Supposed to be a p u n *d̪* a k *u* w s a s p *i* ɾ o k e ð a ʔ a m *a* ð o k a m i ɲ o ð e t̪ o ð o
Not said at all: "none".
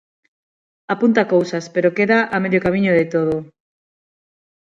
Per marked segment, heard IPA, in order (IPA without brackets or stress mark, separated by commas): t̪, o, e, e